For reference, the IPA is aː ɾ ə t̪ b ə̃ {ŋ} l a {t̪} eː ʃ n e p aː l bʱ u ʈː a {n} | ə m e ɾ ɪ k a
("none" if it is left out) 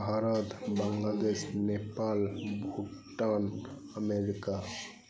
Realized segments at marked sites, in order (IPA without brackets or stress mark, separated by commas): ŋ, d̪, n